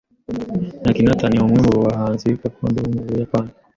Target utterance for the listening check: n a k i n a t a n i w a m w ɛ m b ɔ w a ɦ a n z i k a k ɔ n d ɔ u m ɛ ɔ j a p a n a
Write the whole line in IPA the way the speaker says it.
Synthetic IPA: n a k i n a t a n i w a m w ɛ m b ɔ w a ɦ a n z i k a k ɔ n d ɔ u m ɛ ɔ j a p a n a